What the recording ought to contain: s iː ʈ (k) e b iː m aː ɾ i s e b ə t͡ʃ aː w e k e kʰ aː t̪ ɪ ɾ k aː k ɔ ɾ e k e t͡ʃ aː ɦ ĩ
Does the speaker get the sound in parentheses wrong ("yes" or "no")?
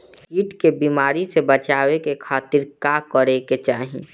no